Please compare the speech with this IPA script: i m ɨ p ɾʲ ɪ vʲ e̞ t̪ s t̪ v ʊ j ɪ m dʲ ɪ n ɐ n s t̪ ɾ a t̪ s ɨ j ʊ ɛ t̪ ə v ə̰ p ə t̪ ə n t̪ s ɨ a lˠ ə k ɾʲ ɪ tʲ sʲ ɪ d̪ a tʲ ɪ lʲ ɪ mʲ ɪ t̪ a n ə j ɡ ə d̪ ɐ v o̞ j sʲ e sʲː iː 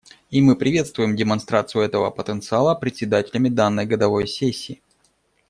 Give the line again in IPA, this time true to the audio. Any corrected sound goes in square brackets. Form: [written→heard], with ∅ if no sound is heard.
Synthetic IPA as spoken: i m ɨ p ɾʲ ɪ vʲ e̞ t̪ s t̪ v ʊ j ɪ m dʲ ɪ [n→m] ɐ n s t̪ ɾ a t̪ s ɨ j ʊ ɛ t̪ ə v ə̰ p ə t̪ ə n t̪ s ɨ a lˠ ə [k→p] ɾʲ ɪ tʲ sʲ ɪ d̪ a tʲ ɪ lʲ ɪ mʲ ɪ [t̪→d̪] a [n→nː] ə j ɡ ə d̪ ɐ v o̞ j sʲ e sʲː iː